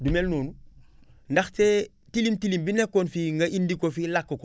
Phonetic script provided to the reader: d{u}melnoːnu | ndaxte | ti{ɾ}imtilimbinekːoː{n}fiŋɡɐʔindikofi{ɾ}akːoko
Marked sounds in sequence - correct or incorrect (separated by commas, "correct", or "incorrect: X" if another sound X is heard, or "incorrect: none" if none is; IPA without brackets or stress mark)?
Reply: correct, incorrect: l, correct, incorrect: l